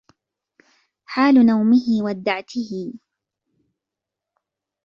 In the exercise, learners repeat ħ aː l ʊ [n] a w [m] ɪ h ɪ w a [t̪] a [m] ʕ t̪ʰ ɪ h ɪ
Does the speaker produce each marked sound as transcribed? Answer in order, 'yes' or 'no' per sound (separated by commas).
yes, yes, no, no